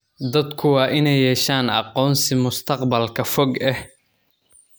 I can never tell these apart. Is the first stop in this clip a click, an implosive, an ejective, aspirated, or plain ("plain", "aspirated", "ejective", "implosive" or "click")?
plain